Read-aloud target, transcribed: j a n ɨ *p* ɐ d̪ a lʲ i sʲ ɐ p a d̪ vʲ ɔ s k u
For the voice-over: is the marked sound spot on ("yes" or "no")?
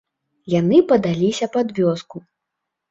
yes